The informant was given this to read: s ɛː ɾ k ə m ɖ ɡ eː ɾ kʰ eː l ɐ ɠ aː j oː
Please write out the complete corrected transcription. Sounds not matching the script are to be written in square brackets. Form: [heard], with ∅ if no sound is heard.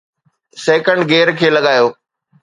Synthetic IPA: s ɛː [∅] k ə [ɳ] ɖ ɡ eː ɾ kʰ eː l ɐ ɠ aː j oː